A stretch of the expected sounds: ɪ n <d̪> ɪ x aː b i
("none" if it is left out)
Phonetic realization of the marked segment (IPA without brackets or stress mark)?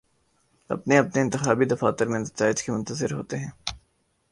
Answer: t̪